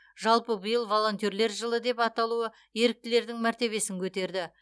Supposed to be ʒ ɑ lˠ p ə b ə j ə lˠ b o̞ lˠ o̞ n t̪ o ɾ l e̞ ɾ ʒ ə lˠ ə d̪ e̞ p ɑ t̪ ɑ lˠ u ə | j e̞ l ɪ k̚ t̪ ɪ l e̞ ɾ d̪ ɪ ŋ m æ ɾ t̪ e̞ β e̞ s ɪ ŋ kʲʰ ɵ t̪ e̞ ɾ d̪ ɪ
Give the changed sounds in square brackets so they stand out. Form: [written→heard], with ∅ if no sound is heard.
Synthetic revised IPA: ʒ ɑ lˠ p ə b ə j ə lˠ [b→v] o̞ lˠ o̞ n t̪ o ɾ l e̞ ɾ ʒ ə lˠ ə d̪ e̞ p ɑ t̪ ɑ lˠ u ə | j e̞ [l→ɾ] ɪ k̚ t̪ ɪ l e̞ ɾ d̪ ɪ ŋ m æ ɾ t̪ e̞ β e̞ s ɪ ŋ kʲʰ ɵ t̪ e̞ ɾ d̪ ɪ